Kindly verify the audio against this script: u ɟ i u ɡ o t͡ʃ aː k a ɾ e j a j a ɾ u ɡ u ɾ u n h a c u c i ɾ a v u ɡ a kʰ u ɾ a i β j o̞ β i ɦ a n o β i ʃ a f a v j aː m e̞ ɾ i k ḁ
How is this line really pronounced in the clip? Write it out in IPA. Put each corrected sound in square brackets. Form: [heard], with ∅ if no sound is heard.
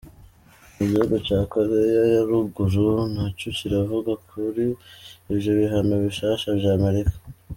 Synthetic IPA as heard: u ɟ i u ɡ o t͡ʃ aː k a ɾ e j a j a ɾ u ɡ u ɾ u n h a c u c i ɾ a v u ɡ a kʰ u ɾ [i] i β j o̞ β i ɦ a n o β i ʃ a [ʃ] a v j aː m e̞ ɾ i k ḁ